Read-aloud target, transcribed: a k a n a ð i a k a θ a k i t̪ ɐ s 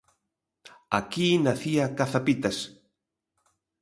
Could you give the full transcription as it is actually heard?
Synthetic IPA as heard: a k i n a θ i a k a θ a p i t̪ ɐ s